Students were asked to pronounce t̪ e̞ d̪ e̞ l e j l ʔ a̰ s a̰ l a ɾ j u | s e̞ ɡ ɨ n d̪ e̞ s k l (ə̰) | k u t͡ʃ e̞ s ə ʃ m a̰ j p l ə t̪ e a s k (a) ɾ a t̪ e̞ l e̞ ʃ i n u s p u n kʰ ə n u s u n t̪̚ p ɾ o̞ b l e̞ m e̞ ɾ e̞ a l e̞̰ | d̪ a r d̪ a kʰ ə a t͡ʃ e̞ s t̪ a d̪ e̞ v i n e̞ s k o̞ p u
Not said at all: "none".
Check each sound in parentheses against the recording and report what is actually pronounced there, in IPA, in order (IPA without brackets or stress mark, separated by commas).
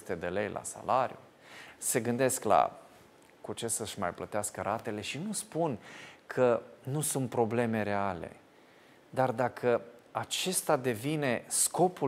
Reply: a̰, ə